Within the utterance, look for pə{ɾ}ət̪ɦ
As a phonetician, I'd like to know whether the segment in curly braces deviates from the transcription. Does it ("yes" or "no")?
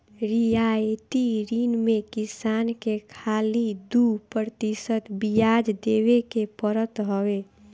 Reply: no